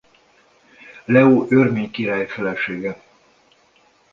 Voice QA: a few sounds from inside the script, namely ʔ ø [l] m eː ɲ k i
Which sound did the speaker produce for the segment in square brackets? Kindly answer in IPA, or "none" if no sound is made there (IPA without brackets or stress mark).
r